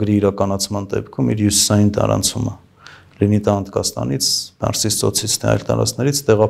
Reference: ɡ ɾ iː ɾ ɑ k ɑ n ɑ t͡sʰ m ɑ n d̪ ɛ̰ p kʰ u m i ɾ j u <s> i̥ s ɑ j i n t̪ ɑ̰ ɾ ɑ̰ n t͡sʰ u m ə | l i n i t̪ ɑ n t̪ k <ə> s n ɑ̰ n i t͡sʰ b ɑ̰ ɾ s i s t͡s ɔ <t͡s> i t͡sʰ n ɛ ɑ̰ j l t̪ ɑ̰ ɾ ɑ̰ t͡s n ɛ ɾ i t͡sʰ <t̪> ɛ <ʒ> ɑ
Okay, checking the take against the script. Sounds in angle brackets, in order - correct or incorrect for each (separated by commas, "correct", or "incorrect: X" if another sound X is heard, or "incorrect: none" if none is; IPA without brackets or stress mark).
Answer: correct, incorrect: ɑ, incorrect: t͡sʰ, correct, incorrect: ʁ